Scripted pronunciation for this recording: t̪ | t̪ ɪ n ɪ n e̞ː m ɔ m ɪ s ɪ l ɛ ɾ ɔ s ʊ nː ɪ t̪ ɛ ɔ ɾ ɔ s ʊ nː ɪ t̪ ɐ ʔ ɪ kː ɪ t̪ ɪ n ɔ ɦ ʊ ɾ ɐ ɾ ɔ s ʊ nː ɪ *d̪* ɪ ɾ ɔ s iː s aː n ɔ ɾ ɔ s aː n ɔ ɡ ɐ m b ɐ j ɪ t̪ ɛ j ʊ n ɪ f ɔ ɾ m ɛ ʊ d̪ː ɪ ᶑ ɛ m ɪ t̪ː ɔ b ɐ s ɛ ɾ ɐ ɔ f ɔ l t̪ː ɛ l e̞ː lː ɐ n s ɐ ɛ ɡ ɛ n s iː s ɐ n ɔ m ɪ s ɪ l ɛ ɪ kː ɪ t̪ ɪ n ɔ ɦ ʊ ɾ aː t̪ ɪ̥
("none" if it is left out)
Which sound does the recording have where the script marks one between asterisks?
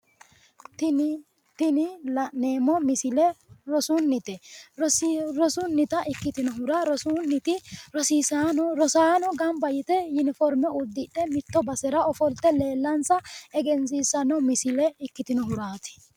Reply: t̪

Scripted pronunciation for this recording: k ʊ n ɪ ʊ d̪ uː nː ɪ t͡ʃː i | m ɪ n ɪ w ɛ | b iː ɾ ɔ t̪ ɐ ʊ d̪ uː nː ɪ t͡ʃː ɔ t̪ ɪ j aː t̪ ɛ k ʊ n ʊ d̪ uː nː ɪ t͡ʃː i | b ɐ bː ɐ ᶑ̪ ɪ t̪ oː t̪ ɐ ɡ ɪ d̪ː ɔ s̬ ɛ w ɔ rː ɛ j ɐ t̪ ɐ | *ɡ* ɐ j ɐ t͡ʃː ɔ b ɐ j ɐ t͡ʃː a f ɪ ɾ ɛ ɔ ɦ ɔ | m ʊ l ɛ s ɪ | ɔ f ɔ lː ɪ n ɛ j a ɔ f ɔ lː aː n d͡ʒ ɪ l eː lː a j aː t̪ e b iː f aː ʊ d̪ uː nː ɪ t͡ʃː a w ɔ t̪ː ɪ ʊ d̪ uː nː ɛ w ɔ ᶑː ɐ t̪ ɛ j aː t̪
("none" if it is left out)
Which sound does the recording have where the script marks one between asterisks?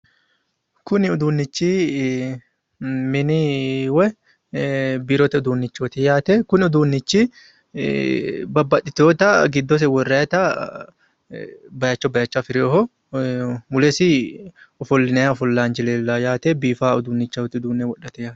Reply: b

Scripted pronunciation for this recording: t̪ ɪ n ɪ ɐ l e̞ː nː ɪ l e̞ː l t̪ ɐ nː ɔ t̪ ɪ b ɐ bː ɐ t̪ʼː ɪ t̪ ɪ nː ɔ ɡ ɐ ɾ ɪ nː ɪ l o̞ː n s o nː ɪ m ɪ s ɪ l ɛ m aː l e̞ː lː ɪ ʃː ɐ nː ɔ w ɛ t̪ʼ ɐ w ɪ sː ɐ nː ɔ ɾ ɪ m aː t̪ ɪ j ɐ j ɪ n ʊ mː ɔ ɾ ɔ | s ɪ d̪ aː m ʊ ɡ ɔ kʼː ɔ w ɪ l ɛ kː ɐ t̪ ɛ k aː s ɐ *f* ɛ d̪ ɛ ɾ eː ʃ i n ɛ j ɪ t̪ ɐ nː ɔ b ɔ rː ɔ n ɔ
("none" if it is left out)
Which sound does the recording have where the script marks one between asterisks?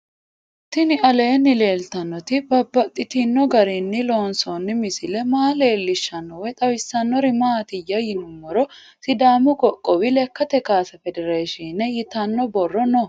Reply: f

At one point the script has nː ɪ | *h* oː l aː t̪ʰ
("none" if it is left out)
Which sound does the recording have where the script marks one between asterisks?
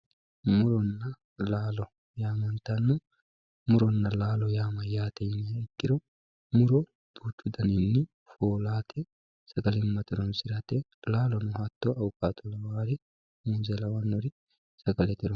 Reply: f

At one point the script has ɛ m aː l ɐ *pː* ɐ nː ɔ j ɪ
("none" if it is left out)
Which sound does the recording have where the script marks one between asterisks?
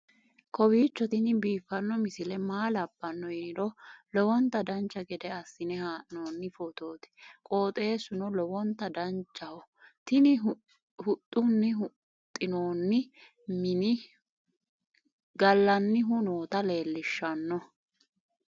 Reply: bː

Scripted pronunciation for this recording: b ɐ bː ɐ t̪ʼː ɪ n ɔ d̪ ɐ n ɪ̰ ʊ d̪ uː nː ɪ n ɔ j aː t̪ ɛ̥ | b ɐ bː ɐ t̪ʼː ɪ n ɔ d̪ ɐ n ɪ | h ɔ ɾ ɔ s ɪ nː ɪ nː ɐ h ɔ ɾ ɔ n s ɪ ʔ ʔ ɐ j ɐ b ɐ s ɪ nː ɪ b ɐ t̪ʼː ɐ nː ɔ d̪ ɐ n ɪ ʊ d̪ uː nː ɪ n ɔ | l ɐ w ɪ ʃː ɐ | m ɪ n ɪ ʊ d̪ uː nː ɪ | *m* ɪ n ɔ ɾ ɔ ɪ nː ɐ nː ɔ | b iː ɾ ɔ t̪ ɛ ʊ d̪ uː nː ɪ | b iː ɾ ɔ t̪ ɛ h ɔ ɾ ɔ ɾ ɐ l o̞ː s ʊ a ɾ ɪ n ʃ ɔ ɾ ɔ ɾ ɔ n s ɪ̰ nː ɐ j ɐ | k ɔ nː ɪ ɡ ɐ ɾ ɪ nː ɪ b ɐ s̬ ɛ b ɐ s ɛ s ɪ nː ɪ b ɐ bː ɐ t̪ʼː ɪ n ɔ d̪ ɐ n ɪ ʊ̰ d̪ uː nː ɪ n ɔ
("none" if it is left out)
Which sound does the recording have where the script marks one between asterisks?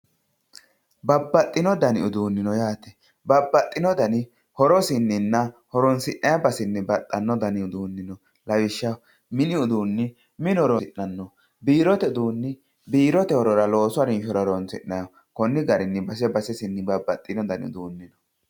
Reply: m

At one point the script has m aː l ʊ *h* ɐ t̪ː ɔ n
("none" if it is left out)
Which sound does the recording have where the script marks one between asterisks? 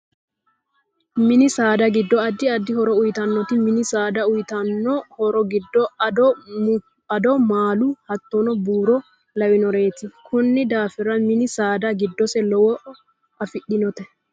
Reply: h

